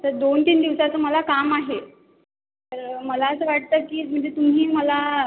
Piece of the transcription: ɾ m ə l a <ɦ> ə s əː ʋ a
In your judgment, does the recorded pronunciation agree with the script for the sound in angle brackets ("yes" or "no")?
no